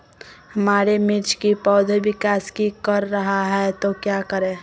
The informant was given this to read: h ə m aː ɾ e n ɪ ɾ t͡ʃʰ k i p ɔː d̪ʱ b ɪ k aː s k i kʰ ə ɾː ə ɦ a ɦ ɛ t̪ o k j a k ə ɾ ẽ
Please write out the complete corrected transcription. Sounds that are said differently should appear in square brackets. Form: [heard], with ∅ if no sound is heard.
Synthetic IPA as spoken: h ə m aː ɾ e [m] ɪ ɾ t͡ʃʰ k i p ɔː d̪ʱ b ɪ k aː s k i [k] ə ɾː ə ɦ a ɦ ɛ t̪ o k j a k ə ɾ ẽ